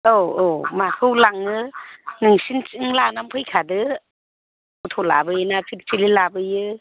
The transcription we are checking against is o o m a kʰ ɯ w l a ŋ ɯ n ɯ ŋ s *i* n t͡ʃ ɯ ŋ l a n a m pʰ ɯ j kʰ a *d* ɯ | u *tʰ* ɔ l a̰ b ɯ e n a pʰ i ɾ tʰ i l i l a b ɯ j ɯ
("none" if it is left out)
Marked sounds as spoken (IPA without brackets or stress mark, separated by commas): i, d, tʰ